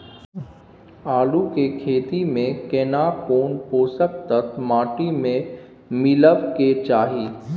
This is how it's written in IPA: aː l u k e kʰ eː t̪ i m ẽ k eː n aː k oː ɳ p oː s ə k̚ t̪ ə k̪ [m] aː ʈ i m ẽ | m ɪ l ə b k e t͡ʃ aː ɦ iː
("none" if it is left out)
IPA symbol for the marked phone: m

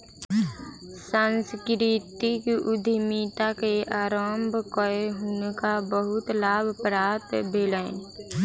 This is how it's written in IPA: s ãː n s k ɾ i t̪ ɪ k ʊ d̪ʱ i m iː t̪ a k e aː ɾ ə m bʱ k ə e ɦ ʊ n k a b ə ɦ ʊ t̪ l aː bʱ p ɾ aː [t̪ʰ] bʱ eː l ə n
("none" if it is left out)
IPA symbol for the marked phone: t̪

